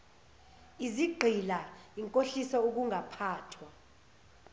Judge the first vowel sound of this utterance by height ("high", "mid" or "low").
high